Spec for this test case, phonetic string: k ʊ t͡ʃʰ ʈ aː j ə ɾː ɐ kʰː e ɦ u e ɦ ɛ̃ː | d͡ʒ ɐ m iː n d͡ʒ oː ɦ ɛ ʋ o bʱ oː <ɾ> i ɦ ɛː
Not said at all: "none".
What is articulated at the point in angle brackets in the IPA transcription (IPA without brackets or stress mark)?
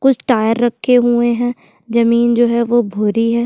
ɾ